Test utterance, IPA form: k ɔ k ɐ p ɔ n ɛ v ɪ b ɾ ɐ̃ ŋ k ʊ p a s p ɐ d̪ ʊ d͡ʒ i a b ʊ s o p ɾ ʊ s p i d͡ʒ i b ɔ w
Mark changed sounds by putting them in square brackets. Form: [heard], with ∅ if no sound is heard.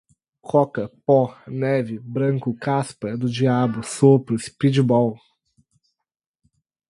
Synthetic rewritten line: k ɔ k ɐ p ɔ n ɛ v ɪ b ɾ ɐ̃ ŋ k ʊ [k] a s p ɐ d̪ ʊ d͡ʒ i a b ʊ s o p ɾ ʊ s p i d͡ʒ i b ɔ w